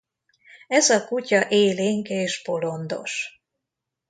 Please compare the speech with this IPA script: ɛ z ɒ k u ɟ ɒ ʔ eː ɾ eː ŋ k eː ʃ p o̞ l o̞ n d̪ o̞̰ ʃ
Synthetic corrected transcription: ɛ z ɒ k u c ɒ ʔ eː l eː ŋ k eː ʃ p o̞ l o̞ n d̪ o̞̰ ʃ